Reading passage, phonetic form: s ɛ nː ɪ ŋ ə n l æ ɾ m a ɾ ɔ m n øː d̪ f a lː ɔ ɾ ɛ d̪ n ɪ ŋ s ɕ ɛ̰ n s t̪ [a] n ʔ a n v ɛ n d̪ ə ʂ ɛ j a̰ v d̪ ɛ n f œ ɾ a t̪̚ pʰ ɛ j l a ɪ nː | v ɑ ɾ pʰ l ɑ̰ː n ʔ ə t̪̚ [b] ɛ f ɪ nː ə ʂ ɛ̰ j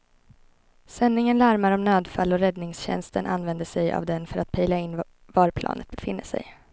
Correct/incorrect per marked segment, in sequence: incorrect: ə, correct

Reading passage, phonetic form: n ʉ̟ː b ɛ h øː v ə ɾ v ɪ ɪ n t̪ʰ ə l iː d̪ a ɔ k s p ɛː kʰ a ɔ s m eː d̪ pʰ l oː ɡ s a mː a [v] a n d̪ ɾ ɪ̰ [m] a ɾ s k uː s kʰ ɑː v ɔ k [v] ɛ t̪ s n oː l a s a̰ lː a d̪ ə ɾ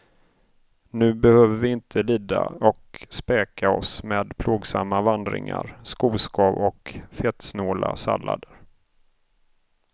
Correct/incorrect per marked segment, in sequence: correct, incorrect: ŋ, incorrect: f

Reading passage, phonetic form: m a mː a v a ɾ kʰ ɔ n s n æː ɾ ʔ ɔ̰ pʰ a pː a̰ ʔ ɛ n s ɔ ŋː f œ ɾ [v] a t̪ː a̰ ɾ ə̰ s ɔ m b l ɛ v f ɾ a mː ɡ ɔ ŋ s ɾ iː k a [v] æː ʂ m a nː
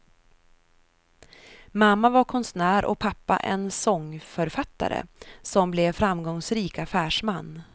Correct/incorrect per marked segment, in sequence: incorrect: f, incorrect: f

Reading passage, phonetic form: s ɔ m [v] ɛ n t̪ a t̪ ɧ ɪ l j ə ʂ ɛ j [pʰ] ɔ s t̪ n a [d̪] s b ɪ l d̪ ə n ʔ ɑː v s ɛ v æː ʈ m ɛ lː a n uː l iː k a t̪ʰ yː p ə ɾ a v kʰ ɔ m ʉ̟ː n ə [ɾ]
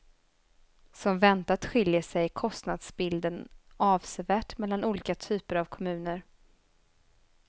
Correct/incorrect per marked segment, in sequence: correct, incorrect: kʰ, correct, correct

